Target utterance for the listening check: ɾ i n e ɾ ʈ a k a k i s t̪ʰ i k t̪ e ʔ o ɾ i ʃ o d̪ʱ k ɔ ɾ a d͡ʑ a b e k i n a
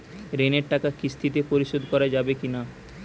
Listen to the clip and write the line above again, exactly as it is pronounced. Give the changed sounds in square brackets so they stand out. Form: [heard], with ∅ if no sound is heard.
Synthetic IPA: ɾ [e] n e ɾ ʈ a k a k i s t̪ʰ i [∅] t̪ e [p] o ɾ i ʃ o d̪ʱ k ɔ ɾ a d͡ʑ a b e k i n a